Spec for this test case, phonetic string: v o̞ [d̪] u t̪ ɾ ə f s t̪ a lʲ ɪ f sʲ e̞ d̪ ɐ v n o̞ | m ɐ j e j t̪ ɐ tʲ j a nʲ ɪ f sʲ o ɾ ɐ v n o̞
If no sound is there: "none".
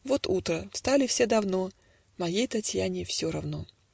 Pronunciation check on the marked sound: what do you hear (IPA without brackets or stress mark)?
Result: t̪